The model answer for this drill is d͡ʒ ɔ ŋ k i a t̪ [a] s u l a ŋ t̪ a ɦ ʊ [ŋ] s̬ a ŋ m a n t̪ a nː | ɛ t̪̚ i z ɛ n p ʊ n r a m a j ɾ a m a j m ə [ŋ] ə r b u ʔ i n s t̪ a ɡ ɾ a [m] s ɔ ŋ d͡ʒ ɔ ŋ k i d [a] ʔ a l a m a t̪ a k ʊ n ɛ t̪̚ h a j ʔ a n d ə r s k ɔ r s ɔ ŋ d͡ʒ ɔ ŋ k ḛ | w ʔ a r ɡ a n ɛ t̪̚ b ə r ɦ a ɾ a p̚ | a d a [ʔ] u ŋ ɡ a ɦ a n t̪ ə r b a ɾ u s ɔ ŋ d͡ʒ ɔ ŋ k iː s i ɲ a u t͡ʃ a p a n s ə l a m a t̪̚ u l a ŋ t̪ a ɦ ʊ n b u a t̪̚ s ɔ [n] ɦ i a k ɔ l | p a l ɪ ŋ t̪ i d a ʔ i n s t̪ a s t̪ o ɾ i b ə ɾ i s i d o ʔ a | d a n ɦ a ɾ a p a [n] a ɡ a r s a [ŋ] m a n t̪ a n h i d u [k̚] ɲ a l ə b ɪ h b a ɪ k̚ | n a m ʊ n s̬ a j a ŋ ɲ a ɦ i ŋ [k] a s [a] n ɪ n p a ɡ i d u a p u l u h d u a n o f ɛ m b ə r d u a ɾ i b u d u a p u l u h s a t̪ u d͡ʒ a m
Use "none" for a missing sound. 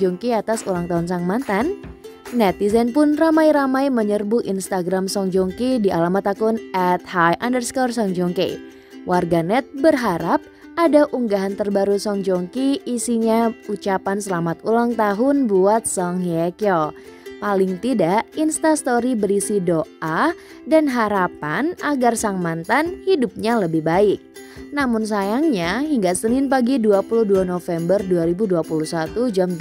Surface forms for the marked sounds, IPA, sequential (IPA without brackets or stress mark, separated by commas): a, n, ɲ, m, i, ʔ, ŋ, n, ŋ, p̚, ɡ, ə